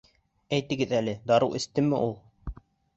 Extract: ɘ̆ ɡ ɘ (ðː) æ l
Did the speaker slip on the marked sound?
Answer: yes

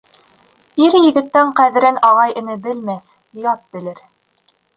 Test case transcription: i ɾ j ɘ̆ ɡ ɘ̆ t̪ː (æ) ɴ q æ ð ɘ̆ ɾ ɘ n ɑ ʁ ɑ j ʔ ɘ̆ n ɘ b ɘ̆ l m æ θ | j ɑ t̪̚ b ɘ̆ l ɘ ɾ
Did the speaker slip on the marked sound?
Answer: no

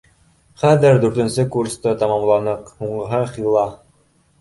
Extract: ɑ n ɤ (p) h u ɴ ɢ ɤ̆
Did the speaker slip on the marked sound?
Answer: yes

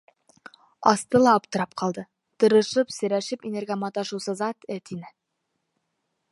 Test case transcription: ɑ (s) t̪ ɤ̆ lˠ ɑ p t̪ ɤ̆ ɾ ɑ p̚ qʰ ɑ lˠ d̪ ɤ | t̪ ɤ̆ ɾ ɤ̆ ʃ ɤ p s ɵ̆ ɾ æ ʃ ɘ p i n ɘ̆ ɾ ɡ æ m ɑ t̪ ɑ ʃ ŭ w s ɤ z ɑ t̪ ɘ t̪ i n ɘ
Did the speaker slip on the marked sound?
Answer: no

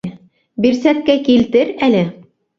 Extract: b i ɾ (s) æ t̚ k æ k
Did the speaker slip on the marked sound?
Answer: no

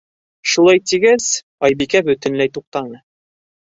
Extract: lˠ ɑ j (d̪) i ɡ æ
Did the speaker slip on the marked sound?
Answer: yes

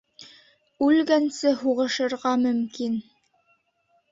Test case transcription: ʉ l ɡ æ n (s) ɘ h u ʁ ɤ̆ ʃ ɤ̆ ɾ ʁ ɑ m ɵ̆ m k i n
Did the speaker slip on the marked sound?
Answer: no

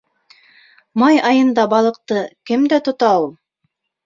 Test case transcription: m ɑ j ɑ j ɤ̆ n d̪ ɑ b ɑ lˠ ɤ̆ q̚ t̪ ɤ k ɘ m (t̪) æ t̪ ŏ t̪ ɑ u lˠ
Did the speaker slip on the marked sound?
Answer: yes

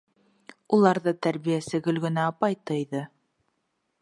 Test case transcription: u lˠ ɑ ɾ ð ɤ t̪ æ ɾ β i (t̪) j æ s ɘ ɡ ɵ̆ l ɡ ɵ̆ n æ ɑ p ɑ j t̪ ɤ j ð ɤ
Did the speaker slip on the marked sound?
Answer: yes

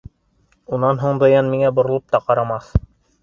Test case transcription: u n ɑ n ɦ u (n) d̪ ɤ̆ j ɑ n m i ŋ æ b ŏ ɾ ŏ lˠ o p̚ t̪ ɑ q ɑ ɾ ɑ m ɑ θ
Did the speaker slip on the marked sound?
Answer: yes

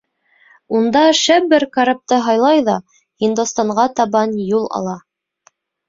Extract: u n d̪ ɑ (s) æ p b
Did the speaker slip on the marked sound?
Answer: yes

